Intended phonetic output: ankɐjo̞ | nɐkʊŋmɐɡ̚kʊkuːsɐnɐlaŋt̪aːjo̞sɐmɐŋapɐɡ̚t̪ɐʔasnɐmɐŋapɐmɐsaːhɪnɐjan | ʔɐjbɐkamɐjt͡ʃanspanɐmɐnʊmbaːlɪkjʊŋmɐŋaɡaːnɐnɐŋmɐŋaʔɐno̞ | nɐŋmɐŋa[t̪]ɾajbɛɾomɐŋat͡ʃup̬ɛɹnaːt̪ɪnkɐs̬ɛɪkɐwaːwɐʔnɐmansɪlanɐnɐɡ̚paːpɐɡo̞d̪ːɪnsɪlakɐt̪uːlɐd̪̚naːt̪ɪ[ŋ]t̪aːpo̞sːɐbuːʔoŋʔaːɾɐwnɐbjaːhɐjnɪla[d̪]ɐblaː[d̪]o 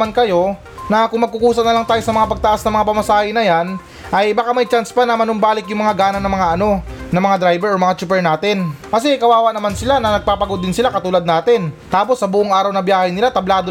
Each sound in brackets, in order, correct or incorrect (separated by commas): incorrect, incorrect, incorrect, correct